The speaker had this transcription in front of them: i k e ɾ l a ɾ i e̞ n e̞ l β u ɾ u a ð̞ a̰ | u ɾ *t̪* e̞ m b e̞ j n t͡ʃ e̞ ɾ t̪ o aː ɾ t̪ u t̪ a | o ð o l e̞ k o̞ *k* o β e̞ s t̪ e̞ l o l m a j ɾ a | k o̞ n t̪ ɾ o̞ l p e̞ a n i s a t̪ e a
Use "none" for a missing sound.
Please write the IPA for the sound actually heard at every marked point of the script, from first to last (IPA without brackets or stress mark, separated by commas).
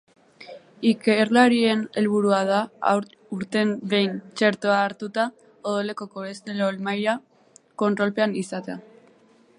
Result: t̪, k